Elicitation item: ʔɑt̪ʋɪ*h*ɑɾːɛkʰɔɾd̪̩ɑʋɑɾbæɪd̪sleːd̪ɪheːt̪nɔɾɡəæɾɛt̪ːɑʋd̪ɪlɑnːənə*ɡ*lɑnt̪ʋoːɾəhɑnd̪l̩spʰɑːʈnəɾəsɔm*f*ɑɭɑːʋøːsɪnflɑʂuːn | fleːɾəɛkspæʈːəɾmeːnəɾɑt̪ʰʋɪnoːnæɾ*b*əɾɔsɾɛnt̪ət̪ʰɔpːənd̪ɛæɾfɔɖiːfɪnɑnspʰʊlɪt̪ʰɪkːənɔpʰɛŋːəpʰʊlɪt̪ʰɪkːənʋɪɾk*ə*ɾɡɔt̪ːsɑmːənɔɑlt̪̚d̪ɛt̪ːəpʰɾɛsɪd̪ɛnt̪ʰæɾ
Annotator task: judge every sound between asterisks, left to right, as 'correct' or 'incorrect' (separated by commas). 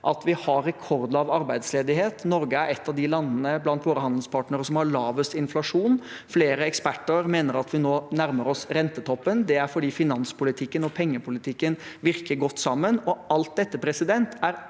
correct, incorrect, incorrect, incorrect, correct